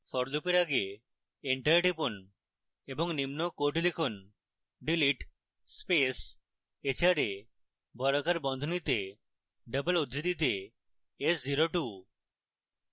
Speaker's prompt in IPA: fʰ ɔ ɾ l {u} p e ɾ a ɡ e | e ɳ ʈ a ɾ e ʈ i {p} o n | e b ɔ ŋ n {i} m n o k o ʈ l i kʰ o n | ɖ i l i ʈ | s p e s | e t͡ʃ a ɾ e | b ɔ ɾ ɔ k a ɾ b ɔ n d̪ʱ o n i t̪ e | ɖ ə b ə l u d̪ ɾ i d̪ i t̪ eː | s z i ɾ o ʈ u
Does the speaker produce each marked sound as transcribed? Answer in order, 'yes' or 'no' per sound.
yes, yes, yes

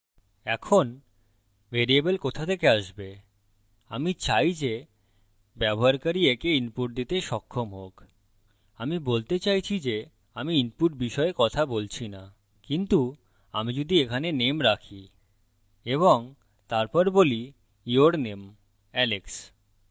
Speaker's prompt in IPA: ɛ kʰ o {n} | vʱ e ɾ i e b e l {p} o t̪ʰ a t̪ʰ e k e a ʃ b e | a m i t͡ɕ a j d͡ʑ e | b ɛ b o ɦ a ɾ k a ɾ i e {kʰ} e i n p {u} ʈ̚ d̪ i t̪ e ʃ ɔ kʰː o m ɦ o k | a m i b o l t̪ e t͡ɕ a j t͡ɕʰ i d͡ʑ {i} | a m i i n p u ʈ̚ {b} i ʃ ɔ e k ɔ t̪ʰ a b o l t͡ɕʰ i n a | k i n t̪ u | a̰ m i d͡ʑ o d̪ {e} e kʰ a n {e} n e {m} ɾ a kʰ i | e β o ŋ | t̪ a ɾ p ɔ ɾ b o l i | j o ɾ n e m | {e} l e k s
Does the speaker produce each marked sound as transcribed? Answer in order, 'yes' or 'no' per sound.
yes, no, no, yes, no, yes, no, yes, yes, no

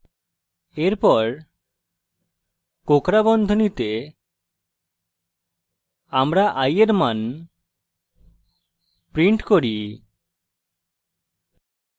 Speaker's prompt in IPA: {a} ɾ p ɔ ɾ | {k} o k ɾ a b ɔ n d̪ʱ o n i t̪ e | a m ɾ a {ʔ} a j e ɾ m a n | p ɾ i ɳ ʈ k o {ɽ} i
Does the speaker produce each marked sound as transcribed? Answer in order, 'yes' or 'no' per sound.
no, yes, yes, no

